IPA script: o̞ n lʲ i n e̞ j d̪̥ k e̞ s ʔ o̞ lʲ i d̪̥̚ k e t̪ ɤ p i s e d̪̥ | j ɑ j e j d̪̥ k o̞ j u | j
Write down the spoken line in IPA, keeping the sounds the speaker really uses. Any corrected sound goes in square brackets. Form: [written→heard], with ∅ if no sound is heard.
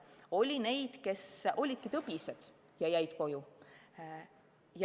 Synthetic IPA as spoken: o̞ [n→∅] lʲ i n e̞ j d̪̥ k e̞ s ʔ o̞ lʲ i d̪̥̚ k [e→i] t̪ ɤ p i s e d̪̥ | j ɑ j [e→æ] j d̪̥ k o̞ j u | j